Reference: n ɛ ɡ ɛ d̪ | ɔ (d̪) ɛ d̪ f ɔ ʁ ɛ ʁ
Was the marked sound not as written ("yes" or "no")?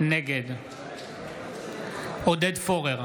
no